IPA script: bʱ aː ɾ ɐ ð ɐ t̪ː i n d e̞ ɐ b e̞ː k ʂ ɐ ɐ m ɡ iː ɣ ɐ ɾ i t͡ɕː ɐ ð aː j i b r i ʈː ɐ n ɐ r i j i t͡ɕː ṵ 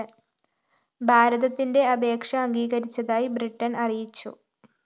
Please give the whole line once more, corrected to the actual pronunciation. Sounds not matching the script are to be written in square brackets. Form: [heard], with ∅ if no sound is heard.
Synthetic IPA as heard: bʱ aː ɾ ɐ ð ɐ t̪ː i n d e̞ ɐ b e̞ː k ʂ ɐ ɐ [ŋ] ɡ iː ɣ ɐ ɾ i t͡ɕː ɐ ð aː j i b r i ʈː ɐ n ɐ r i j i t͡ɕː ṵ